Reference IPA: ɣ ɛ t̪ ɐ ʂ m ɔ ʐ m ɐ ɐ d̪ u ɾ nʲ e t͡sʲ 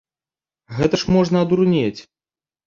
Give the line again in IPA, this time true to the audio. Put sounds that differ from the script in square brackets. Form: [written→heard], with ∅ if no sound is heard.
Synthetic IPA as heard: ɣ ɛ t̪ ɐ ʂ m ɔ ʐ [m→n] ɐ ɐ d̪ u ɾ nʲ e t͡sʲ